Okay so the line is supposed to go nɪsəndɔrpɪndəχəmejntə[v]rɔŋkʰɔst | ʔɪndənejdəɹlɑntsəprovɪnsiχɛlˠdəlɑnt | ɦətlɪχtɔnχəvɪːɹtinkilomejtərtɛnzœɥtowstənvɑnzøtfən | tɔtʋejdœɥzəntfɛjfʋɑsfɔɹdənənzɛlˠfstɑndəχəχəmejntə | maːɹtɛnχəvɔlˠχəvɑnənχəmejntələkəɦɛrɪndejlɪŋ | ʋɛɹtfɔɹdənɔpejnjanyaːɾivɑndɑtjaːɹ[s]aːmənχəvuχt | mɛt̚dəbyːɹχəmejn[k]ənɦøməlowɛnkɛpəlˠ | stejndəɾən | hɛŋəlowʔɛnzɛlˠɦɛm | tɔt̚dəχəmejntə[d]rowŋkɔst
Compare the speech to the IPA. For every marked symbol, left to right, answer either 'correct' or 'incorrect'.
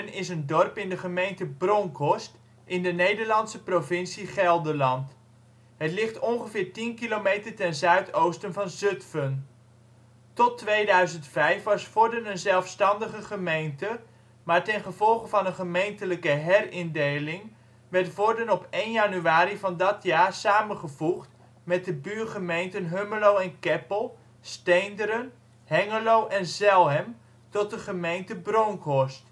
incorrect, correct, incorrect, incorrect

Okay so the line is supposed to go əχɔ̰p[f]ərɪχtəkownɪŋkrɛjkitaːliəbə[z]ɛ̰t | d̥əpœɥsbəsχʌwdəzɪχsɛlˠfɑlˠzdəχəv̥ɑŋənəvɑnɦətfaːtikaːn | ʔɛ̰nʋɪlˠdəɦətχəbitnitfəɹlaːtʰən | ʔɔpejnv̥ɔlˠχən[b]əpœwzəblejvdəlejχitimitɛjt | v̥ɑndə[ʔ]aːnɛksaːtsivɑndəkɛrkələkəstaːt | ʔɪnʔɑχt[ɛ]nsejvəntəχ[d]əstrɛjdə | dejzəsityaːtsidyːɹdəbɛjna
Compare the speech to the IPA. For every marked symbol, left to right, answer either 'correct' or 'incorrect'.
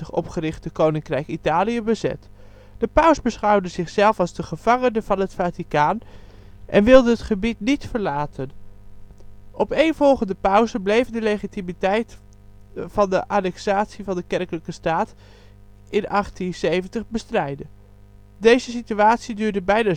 incorrect, correct, incorrect, correct, incorrect, incorrect

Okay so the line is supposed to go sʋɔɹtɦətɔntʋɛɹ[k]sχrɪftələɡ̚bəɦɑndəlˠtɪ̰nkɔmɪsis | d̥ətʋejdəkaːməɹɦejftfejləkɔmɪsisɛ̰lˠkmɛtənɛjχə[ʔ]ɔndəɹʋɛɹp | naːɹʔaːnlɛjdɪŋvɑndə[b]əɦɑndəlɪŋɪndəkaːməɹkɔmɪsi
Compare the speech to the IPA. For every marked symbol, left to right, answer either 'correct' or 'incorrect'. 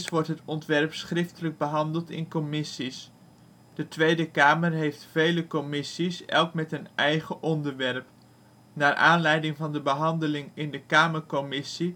incorrect, correct, correct

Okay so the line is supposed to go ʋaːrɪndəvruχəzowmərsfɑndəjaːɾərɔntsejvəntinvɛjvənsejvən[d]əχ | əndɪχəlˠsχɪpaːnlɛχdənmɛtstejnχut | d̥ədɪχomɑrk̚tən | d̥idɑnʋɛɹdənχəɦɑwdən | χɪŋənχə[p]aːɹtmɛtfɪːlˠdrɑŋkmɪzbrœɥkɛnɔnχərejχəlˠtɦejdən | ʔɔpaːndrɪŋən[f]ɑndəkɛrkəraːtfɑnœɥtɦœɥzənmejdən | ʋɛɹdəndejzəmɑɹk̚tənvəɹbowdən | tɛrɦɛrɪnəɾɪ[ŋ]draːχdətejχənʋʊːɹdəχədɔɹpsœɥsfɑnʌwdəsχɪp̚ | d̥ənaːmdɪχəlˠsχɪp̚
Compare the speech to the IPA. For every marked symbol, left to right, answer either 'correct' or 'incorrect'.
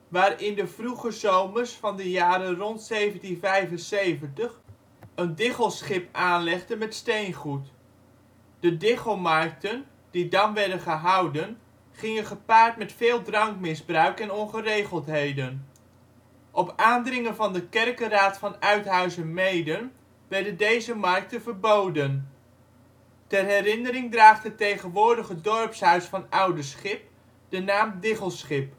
incorrect, correct, incorrect, correct

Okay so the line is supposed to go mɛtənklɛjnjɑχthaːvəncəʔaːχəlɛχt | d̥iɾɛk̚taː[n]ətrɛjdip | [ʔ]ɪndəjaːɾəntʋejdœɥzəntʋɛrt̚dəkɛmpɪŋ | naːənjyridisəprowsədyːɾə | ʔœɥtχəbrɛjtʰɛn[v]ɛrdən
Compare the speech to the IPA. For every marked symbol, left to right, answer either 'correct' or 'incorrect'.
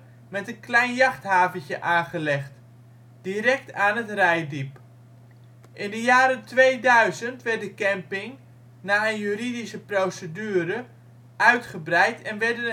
correct, correct, incorrect

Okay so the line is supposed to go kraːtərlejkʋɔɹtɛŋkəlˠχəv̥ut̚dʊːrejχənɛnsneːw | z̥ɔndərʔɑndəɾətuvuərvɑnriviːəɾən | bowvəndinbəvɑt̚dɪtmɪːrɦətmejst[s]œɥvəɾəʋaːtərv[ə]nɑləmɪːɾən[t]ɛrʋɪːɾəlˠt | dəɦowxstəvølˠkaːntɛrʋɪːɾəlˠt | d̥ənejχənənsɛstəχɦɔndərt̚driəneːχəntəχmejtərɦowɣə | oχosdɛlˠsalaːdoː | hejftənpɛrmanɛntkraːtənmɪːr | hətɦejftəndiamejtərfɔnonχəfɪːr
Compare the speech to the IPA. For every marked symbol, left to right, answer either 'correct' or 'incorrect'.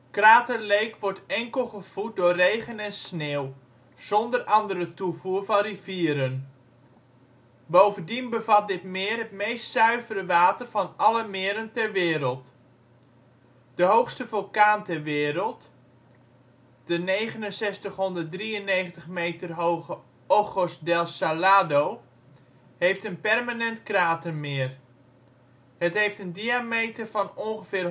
correct, incorrect, correct

